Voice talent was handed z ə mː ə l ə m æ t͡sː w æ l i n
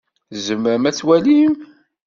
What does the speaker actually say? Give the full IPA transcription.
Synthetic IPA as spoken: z ə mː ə ɾ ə m æ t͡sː w æ l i m